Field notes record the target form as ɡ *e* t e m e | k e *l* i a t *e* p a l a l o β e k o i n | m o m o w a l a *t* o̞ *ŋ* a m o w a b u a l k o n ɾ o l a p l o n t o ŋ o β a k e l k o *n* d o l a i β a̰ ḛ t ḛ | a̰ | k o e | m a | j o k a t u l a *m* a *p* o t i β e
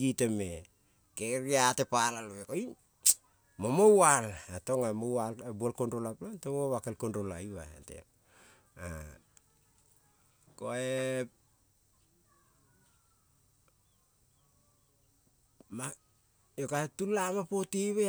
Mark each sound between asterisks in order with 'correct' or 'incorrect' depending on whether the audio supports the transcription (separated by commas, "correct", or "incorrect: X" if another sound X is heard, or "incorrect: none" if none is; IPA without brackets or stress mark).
incorrect: i, incorrect: ɾ, correct, correct, correct, correct, correct, correct